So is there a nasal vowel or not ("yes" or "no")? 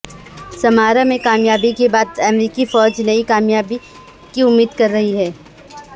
yes